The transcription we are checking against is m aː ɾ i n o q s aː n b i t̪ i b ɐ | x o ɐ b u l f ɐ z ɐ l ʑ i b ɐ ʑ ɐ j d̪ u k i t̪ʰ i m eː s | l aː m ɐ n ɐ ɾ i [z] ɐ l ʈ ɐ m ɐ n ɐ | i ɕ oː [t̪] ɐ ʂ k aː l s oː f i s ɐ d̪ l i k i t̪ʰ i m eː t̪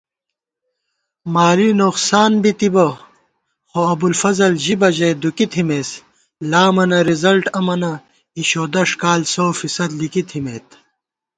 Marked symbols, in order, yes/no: yes, no

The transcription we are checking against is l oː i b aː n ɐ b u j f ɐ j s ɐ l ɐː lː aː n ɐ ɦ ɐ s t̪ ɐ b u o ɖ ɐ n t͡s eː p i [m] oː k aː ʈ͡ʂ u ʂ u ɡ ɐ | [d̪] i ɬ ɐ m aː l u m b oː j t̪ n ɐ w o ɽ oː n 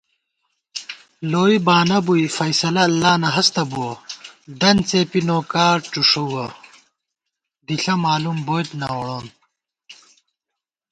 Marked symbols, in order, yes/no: no, yes

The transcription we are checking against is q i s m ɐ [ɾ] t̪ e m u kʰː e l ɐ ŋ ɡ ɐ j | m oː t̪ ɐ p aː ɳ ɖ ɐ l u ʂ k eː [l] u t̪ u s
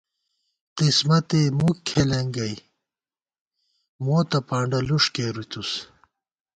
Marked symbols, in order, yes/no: no, no

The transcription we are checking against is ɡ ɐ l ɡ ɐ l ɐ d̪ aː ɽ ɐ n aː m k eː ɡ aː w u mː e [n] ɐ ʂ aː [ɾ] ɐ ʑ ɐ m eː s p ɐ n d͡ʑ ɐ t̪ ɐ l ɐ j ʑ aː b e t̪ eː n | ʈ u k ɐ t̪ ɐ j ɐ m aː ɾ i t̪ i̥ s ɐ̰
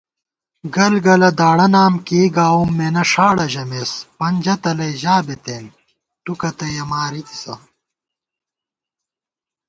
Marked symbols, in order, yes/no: yes, no

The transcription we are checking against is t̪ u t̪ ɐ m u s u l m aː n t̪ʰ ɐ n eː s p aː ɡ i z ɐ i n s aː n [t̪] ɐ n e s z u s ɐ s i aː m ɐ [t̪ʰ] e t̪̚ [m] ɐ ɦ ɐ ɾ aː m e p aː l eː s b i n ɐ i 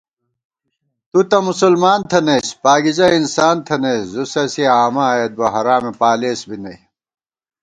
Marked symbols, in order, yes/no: no, no, no

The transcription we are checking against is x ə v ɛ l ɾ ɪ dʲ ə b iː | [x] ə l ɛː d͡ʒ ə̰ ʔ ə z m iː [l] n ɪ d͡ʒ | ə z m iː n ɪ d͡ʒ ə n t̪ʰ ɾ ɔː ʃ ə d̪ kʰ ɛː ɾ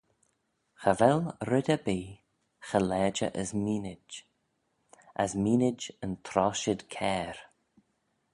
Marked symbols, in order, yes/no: yes, no

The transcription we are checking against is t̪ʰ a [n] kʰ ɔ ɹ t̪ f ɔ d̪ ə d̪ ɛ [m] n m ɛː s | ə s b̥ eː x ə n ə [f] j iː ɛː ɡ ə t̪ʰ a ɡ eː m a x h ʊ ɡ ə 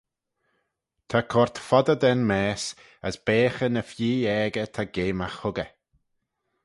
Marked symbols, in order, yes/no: no, no, yes

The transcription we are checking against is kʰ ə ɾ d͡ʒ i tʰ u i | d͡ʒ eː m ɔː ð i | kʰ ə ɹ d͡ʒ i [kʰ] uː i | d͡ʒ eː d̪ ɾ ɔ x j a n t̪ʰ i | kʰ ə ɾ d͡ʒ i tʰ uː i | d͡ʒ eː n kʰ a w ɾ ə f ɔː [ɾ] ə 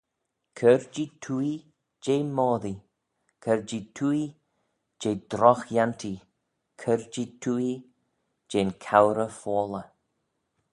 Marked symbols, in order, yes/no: no, no

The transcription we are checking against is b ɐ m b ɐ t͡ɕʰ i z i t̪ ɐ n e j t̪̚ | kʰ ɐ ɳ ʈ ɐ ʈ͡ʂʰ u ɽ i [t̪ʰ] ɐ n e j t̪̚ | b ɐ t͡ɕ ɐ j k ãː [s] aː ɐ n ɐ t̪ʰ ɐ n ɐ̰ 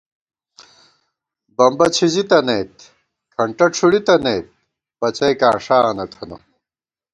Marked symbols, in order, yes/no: no, no

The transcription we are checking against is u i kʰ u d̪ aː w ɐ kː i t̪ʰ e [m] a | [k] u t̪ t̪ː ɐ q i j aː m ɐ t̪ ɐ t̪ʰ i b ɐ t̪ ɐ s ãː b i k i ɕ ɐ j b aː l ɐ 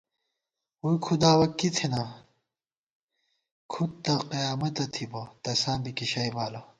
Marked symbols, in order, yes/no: no, no

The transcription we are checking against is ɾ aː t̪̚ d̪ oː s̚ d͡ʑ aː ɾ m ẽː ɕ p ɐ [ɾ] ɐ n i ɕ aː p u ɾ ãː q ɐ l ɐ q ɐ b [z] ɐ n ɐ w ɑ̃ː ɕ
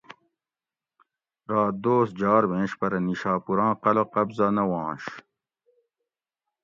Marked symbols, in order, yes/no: yes, yes

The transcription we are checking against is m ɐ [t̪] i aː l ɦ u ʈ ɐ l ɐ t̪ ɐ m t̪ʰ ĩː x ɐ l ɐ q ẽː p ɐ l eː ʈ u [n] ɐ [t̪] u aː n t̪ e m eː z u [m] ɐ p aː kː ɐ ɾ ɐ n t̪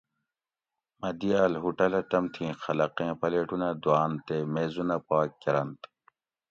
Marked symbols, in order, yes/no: no, yes, no, no

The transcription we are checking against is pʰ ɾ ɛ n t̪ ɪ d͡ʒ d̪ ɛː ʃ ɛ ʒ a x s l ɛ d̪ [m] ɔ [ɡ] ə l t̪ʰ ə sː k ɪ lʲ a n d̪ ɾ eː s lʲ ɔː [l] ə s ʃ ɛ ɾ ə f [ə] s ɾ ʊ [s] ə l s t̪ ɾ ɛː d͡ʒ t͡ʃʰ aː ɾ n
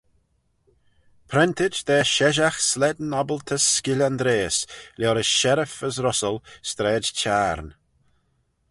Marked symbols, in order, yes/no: no, no, no, yes, yes

